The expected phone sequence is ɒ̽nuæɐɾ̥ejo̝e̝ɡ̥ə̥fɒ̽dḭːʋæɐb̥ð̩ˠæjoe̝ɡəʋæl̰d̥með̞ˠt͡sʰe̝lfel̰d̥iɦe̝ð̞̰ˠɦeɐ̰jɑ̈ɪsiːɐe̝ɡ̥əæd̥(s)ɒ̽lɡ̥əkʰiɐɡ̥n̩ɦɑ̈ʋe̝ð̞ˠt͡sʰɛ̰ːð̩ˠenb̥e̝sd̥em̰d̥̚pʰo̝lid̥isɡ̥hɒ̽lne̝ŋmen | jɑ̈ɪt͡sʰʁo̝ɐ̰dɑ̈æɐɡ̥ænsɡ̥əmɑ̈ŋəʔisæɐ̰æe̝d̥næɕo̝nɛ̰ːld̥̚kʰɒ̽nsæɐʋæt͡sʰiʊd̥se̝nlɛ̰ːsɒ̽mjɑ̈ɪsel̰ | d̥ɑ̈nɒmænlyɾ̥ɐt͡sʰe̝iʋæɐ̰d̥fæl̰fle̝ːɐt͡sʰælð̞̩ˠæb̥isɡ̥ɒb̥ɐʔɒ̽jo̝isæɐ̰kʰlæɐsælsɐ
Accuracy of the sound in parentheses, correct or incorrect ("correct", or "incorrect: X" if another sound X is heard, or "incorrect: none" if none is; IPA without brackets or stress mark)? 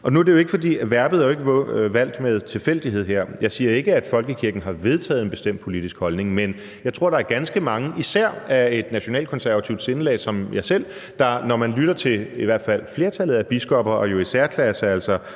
incorrect: f